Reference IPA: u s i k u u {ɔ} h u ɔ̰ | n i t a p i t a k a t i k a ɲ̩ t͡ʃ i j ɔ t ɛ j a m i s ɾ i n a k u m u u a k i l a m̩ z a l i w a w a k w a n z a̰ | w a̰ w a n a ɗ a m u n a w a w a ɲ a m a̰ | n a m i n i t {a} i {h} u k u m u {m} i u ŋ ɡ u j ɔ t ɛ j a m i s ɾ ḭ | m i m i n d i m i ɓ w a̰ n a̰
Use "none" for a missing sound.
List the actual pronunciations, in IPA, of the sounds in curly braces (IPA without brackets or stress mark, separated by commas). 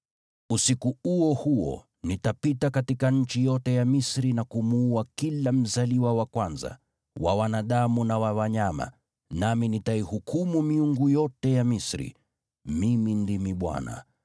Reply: ɔ, a, h, m